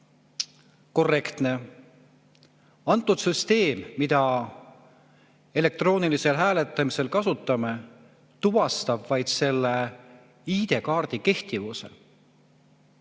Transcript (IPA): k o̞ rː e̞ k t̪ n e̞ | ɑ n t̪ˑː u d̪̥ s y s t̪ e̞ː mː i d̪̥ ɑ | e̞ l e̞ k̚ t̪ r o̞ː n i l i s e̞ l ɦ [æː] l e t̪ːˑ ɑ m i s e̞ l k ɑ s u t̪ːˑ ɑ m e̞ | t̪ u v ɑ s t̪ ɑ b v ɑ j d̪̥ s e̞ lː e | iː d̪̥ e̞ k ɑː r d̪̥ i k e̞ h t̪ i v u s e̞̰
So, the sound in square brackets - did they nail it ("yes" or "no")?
yes